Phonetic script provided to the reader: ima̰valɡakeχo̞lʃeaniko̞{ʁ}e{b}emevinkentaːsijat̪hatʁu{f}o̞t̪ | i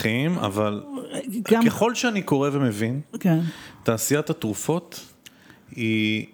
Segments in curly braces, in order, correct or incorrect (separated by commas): correct, incorrect, correct